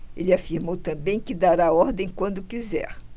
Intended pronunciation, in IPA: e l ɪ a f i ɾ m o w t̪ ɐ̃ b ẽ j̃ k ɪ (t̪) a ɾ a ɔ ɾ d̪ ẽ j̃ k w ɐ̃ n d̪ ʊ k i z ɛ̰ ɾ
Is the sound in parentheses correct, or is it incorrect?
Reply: incorrect: d̪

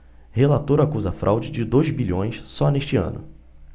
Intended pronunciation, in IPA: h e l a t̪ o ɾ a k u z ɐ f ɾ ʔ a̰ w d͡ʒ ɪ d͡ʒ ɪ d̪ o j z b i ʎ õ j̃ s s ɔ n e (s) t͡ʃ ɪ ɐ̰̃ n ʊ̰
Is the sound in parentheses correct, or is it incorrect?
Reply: incorrect: ʃ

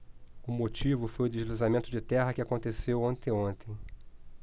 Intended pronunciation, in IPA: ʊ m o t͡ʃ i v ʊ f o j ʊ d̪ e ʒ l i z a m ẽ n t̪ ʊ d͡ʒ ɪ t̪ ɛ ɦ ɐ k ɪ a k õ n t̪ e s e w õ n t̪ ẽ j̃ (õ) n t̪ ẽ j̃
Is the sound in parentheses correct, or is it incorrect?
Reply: correct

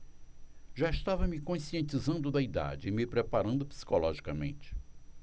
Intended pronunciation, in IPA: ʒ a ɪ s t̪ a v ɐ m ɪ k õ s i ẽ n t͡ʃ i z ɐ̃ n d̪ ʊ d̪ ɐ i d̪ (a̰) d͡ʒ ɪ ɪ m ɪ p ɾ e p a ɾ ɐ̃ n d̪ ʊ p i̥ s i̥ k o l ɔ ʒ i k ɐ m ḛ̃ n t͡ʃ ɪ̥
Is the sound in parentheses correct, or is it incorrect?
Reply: correct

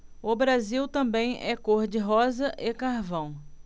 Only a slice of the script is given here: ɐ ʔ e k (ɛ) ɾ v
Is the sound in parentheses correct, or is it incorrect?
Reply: incorrect: a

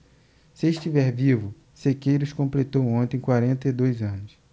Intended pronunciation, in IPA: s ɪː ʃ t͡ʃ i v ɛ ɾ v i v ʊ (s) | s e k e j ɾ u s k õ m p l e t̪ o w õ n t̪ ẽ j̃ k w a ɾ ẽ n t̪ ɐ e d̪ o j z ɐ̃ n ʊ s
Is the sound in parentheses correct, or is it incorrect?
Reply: incorrect: none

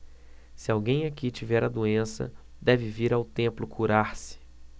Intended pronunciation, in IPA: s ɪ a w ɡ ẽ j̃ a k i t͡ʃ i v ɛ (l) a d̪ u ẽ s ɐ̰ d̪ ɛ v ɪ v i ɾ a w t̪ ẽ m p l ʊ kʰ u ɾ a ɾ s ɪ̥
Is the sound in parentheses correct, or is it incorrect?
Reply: incorrect: ɾ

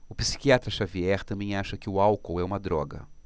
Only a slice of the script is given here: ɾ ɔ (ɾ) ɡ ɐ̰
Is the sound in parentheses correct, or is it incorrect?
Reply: incorrect: none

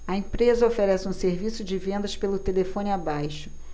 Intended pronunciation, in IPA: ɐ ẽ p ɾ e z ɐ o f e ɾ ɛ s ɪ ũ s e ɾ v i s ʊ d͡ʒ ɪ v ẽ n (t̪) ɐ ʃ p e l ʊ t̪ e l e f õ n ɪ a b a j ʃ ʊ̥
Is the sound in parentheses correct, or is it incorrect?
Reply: incorrect: d̪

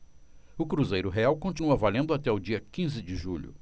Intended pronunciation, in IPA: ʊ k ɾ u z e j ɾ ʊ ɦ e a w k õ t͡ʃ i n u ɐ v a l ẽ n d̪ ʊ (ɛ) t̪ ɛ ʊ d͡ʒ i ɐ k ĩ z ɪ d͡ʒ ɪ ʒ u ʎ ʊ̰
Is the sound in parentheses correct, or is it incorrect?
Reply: incorrect: a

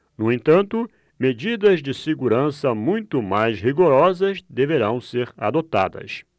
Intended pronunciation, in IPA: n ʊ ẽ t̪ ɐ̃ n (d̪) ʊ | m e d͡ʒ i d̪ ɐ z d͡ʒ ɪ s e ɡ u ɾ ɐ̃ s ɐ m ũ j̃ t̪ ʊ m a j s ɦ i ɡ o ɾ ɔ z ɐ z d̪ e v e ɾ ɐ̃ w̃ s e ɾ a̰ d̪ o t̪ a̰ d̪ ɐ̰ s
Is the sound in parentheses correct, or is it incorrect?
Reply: incorrect: t̪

